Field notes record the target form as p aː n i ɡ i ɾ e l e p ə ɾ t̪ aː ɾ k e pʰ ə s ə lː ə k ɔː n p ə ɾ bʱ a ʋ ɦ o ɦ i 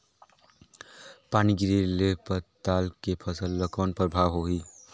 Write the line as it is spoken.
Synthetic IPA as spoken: p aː n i ɡ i ɾ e l e p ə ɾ t̪ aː l k e pʰ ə s ə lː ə k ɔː n p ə ɾ bʱ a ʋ ɦ o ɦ i